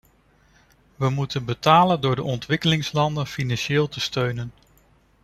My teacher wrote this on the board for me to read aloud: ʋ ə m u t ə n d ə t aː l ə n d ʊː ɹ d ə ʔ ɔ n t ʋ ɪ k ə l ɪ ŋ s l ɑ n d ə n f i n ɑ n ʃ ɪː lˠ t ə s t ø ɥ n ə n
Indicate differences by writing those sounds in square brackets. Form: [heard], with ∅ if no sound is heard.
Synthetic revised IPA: ʋ ə m u t ə n [b] ə t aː l ə n d ʊː ɹ d ə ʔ ɔ n t ʋ ɪ k ə l ɪ ŋ s l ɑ n d ə n f i n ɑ n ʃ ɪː lˠ t ə s t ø ɥ n ə n